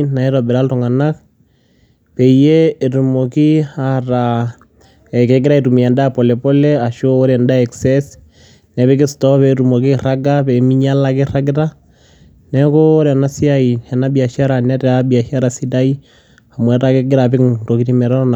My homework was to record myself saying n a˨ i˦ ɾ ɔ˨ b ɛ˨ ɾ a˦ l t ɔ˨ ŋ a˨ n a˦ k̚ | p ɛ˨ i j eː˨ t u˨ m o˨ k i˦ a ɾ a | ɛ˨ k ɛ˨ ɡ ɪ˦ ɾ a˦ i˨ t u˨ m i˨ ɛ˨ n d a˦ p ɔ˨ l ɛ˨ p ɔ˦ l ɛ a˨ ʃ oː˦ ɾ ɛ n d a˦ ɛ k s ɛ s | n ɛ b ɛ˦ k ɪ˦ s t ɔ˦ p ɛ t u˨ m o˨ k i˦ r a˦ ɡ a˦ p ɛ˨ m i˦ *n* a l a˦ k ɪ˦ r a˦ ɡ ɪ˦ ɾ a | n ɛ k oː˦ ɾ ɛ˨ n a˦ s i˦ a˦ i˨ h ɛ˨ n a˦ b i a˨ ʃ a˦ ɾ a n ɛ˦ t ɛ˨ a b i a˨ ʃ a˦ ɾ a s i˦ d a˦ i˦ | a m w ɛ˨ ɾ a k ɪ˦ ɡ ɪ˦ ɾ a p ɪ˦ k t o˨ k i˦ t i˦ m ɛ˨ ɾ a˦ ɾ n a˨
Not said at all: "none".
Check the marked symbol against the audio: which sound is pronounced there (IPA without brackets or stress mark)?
ɲ